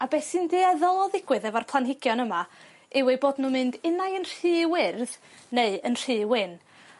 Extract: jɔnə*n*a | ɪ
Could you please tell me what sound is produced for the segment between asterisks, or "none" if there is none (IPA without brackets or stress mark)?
m